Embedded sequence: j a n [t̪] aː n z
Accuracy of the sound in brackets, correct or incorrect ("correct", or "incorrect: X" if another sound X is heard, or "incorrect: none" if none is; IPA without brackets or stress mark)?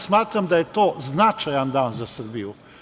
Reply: incorrect: d̪